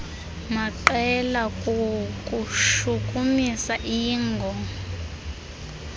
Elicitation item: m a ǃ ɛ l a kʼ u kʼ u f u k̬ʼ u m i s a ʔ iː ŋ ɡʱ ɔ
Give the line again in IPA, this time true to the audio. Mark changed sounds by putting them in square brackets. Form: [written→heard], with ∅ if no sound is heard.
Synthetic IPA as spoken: m a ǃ ɛ l a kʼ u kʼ u [f→ʃ] u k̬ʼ u m i s a ʔ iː ŋ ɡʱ ɔ